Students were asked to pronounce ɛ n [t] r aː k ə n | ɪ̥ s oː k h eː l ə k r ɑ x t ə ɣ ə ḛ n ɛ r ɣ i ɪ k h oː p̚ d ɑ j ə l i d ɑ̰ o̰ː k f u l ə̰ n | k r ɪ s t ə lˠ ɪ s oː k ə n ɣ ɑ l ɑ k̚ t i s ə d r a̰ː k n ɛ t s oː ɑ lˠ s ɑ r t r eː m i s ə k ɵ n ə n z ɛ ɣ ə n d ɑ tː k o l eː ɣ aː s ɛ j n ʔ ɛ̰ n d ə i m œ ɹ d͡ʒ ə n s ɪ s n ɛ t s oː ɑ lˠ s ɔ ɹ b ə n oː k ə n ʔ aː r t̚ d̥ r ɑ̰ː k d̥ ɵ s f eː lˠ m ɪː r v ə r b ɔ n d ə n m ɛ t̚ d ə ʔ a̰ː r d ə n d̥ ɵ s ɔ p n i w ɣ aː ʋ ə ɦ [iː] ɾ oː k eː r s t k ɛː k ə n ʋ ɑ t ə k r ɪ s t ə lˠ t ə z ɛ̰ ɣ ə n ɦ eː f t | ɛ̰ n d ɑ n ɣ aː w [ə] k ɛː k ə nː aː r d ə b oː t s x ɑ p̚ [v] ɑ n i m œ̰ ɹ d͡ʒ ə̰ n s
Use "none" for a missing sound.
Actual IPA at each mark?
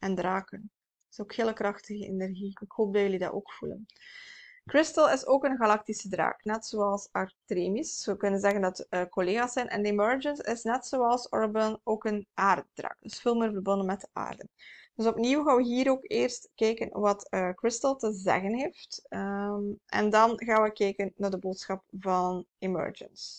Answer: d, iː, ə, v

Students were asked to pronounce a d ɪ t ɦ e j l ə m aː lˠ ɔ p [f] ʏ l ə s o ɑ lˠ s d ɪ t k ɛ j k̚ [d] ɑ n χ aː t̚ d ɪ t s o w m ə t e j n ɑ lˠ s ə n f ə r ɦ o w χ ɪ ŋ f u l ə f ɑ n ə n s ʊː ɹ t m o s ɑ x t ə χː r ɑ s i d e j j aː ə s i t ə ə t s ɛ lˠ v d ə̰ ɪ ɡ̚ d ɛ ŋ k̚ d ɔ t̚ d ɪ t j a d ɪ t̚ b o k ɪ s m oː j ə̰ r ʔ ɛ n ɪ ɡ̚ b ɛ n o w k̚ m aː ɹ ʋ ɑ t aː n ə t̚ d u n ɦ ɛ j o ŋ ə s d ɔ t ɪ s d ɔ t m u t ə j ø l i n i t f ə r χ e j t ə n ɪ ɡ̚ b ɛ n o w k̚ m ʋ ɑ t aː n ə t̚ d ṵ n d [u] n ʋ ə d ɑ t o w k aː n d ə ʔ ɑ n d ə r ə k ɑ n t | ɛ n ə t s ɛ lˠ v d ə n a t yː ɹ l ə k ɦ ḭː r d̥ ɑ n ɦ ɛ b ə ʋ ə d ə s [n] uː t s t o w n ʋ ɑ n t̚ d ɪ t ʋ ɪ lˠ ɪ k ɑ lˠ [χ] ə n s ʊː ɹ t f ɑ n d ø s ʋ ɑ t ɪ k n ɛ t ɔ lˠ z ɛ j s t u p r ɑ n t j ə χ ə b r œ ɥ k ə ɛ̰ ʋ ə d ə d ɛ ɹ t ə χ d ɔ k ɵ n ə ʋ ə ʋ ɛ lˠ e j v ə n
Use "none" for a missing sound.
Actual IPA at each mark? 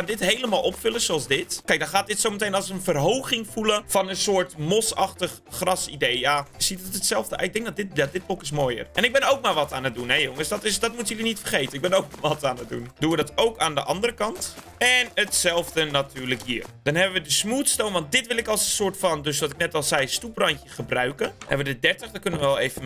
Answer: f, d, u, m, s

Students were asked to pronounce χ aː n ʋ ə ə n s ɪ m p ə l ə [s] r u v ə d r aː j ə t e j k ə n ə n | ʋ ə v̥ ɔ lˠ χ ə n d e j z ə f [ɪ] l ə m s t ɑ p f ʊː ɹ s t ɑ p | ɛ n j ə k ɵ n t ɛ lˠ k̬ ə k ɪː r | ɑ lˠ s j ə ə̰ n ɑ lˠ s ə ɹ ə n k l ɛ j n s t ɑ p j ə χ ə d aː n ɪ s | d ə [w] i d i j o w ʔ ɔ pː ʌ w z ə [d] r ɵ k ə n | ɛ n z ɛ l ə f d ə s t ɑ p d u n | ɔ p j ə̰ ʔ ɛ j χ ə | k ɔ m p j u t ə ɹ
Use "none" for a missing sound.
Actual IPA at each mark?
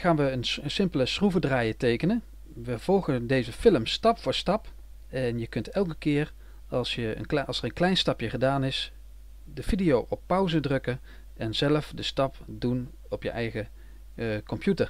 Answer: s, ɪ, v, d

